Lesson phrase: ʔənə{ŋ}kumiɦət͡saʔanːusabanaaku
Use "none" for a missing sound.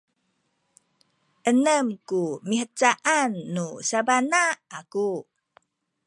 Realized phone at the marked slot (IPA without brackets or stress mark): m